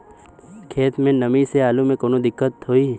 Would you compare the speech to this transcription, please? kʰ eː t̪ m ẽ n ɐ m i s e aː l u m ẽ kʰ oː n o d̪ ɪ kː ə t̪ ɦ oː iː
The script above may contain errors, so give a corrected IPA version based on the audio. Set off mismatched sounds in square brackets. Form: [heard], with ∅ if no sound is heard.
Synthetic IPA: kʰ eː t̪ m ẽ n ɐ m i s e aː l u m ẽ [k] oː n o d̪ ɪ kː ə t̪ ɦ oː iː